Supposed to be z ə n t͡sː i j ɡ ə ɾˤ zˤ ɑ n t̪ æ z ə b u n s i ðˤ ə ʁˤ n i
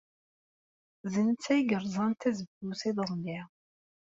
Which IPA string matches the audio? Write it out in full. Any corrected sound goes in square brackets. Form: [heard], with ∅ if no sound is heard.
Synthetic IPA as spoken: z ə n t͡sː [æ] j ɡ ə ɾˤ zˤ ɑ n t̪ æ z ə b u [∅] s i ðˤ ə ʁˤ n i